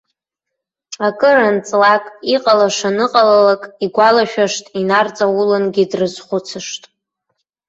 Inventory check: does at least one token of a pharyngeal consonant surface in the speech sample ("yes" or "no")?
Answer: no